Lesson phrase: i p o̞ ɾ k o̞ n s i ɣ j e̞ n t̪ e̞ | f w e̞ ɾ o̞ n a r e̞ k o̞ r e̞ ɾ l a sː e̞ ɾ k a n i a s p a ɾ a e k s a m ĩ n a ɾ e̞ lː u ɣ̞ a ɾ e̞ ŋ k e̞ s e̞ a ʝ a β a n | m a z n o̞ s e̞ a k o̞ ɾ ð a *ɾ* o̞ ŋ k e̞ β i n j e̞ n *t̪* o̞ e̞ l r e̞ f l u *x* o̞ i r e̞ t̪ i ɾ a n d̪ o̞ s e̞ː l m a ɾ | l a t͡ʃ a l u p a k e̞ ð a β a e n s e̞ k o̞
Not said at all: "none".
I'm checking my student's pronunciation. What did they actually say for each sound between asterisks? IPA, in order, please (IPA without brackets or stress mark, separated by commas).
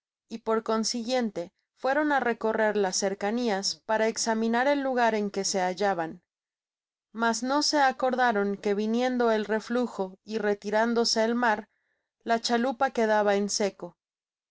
ɾ, d̪, x